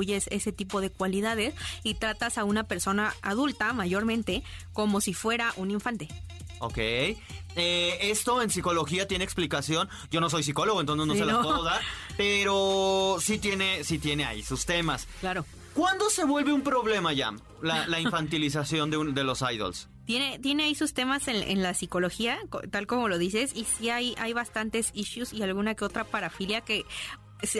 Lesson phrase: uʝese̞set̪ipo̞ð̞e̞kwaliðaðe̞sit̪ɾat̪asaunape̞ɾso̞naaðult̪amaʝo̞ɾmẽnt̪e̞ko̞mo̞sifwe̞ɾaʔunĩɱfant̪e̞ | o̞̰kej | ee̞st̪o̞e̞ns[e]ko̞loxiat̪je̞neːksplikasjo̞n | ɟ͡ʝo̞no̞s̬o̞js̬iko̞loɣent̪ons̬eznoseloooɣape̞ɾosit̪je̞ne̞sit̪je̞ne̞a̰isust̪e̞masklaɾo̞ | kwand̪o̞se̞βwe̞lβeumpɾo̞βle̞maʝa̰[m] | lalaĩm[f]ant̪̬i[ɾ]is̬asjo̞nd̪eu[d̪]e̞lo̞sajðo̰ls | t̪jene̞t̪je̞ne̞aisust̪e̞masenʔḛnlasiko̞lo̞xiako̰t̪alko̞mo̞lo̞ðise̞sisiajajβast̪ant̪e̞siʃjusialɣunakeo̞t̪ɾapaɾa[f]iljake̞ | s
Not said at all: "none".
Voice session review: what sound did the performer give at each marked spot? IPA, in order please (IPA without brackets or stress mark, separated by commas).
i, m, f, l, d̪, f